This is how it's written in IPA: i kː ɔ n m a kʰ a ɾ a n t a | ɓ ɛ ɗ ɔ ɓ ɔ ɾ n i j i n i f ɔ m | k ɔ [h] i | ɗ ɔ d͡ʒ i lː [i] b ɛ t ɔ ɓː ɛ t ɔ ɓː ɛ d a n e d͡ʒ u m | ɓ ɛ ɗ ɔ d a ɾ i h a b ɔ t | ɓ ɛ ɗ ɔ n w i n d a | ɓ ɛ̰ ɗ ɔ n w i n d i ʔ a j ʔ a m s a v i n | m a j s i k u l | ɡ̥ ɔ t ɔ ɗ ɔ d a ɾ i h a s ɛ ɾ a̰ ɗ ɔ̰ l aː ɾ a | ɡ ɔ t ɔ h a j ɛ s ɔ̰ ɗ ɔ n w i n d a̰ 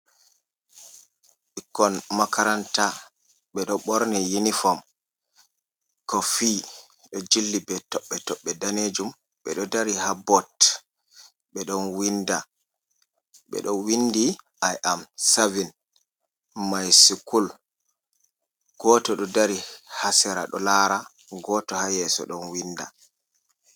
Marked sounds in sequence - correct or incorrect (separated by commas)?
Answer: incorrect, correct